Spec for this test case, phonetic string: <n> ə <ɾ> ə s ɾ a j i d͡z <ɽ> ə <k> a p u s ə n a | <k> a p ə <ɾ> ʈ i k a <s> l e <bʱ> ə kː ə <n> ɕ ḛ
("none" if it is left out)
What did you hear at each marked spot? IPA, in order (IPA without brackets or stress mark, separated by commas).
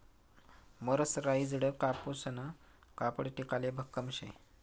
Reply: m, ɾ, ɽ, k, k, ɽ, none, bʱ, m